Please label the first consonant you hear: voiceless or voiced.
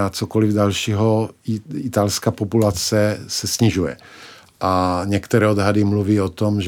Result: voiceless